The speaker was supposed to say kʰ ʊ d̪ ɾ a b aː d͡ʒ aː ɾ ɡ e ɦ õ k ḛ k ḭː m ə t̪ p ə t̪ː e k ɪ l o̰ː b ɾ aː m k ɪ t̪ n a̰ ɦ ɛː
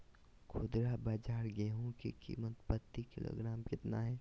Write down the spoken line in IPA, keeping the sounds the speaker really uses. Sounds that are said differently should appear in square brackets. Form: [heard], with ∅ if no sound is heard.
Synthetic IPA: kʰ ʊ d̪ ɾ a b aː d͡ʒ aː ɾ ɡ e ɦ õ k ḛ k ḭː m ə t̪ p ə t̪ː [i] k ɪ l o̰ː [ɡ] ɾ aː m k ɪ t̪ n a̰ ɦ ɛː